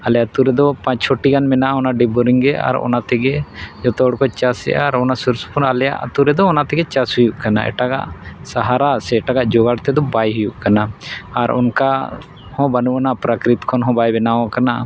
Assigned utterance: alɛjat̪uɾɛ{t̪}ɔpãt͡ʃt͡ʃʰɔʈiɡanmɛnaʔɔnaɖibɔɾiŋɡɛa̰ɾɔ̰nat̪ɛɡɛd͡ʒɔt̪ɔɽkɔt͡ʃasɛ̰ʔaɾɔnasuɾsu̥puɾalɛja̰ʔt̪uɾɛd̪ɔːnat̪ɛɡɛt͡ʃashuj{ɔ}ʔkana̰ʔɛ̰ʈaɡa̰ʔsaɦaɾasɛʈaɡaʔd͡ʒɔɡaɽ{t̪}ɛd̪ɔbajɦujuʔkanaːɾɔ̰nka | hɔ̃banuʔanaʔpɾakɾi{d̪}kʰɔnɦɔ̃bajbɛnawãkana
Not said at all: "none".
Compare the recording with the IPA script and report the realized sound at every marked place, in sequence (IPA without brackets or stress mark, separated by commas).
d̪, u, t̪, t̪